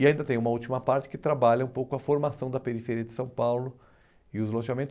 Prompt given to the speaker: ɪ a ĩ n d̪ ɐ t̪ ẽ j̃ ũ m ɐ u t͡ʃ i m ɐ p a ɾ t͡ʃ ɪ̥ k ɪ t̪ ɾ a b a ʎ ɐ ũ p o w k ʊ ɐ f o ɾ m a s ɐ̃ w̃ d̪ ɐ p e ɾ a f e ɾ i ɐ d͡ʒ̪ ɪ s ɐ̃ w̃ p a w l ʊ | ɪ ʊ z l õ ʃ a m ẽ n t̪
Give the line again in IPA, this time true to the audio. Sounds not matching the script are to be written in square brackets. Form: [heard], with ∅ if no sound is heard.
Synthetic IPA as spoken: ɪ a ĩ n d̪ ɐ t̪ ẽ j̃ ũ m ɐ u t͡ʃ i m ɐ p a ɾ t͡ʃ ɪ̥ k ɪ t̪ ɾ a b a ʎ ɐ ũ p o w k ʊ ɐ f o ɾ m a s ɐ̃ w̃ d̪ ɐ p e ɾ [i] f e ɾ i ɐ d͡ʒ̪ ɪ s ɐ̃ w̃ p a w l ʊ | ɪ ʊ z l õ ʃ a m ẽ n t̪